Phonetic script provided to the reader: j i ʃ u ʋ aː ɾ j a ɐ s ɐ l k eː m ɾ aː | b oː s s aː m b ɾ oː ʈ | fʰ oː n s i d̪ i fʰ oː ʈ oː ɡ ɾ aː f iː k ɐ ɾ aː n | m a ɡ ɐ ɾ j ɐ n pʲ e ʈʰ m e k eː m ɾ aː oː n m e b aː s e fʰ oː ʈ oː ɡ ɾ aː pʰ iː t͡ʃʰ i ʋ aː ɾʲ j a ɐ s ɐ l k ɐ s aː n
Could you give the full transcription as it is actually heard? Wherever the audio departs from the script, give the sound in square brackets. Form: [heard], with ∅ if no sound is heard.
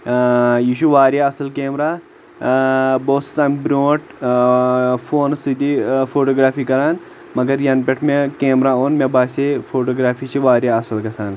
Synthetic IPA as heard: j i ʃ u ʋ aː ɾ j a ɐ s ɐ l k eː m ɾ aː | b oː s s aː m b ɾ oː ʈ | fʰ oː n s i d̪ i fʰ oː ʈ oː ɡ ɾ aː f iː k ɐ ɾ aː n | m [ɐ] ɡ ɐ ɾ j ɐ n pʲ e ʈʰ m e k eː m ɾ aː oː n m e b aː s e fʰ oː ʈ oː ɡ ɾ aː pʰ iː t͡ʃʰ i ʋ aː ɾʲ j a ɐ s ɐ l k ɐ s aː n